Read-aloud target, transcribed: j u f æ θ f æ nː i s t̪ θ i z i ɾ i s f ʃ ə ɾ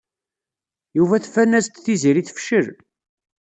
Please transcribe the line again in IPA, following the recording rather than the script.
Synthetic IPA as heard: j u v æ θ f æ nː æ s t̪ θ i z i ɾ i θ f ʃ ə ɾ